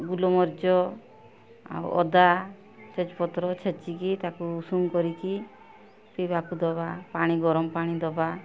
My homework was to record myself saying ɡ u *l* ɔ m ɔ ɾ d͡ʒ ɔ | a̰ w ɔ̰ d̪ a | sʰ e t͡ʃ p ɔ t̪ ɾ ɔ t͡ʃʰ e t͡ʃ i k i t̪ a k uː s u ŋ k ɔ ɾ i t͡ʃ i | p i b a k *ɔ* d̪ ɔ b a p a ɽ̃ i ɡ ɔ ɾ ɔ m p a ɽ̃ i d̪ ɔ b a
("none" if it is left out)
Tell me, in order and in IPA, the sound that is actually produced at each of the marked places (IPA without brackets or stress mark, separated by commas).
l, u